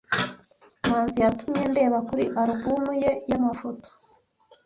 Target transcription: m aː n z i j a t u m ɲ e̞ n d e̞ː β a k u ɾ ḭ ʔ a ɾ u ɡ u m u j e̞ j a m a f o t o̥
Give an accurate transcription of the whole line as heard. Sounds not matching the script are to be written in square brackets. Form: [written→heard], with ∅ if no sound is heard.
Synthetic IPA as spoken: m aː n z i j a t u m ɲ e̞ n d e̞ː β a k u ɾ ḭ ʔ a ɾ u ɡ u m u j e̞ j a m a f o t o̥